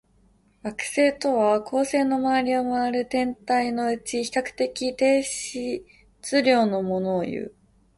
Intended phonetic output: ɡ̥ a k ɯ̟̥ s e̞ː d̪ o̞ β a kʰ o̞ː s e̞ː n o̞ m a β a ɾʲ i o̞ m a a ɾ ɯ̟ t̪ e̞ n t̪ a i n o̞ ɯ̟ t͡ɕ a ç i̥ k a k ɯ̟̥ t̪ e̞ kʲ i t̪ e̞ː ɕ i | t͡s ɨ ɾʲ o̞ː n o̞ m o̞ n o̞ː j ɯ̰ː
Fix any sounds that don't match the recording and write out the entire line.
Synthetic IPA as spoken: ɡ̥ a k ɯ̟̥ s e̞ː t̪ o̞ β a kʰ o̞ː s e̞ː n o̞ m a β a ɾʲ i o̞ m a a ɾ ɯ̟ t̪ ẽ̞ n t̪ a i n o̞ ɯ̟ t͡ɕ i ç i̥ k a k ɯ̟̥ t̪ e̞ kʲ i t̪ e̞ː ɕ i | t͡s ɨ ɾʲ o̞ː n o̞ m o̞ n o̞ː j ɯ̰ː